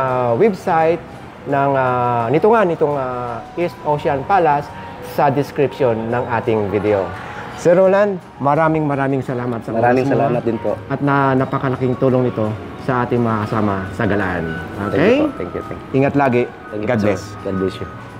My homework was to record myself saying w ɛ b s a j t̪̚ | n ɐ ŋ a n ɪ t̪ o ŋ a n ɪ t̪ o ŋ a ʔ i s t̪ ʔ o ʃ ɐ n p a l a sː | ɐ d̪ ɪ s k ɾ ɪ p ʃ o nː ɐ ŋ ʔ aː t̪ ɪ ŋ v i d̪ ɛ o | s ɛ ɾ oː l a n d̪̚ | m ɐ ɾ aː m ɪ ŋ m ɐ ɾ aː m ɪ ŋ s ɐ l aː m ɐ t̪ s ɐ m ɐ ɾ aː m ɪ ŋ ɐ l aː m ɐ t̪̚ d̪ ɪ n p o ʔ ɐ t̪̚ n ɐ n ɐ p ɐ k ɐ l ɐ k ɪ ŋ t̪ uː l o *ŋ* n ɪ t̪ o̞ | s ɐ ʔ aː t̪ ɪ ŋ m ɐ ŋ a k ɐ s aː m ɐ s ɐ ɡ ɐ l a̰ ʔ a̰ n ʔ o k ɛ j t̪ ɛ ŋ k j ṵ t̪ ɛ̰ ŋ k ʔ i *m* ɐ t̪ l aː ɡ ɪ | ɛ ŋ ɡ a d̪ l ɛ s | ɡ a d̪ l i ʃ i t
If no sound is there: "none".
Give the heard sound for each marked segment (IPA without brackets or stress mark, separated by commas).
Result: ŋ, ŋ